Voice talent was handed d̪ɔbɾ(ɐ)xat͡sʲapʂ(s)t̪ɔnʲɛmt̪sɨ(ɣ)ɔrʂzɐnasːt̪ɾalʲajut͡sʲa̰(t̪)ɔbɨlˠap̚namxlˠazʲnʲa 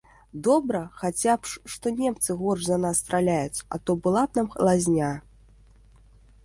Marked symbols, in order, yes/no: yes, no, yes, yes

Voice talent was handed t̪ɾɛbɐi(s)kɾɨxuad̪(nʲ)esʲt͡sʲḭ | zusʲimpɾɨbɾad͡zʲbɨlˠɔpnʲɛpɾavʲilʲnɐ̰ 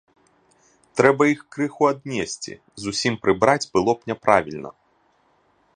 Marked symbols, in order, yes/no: no, yes

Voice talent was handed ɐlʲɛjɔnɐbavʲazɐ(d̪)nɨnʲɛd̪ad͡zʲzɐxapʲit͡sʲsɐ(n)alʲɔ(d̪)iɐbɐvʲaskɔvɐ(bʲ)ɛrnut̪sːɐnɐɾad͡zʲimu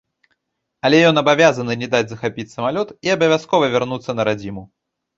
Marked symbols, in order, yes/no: no, no, no, no

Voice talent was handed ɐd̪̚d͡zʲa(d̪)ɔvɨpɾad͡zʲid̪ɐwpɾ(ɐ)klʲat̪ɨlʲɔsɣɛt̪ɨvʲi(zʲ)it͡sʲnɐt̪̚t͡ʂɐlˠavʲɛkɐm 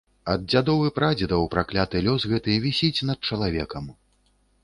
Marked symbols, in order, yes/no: yes, no, no

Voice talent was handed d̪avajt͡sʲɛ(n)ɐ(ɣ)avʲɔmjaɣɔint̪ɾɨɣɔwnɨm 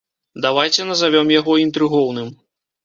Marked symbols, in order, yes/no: yes, no

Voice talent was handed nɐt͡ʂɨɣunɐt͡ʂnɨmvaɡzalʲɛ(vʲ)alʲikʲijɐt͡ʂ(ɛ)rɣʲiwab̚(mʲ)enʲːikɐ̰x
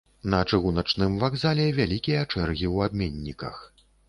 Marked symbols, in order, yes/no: yes, yes, yes

